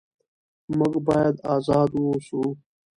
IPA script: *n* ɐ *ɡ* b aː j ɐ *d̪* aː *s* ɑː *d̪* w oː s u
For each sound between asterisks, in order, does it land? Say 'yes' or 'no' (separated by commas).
no, yes, yes, no, yes